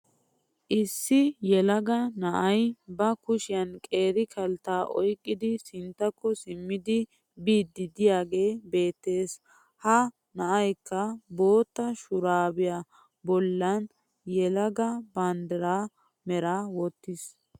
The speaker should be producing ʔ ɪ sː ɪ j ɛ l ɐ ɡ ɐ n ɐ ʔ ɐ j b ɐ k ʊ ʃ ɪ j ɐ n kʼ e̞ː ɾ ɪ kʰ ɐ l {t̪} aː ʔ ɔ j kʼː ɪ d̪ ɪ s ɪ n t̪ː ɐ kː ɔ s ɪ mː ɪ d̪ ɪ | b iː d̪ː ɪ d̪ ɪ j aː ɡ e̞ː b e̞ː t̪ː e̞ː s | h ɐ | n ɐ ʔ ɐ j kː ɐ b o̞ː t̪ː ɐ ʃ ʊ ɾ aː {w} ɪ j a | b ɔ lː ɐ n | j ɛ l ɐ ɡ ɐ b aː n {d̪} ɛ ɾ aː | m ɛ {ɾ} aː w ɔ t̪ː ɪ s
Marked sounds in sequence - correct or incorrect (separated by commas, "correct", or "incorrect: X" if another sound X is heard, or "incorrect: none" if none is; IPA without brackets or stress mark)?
correct, incorrect: b, correct, correct